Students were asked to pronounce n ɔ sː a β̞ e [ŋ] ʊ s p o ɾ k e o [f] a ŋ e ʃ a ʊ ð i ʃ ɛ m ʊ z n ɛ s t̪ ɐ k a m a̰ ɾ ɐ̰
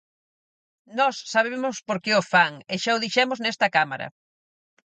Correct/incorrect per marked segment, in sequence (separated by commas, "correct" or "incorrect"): incorrect, correct